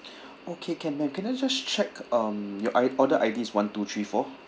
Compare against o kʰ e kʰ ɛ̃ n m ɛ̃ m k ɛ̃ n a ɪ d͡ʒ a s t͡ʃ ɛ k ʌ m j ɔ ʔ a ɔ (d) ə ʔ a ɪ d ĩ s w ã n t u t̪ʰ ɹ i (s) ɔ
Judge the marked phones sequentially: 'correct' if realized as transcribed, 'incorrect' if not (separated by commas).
correct, incorrect